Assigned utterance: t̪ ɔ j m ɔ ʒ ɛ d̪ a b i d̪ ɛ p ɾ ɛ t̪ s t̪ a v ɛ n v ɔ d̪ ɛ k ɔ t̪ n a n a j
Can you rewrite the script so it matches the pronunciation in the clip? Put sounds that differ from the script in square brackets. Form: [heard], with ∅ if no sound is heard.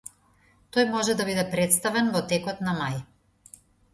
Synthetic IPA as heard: t̪ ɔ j m ɔ ʒ ɛ d̪ a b i d̪ ɛ p ɾ ɛ t̪ s t̪ a v ɛ n v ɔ [t̪] ɛ k ɔ t̪ n a [m] a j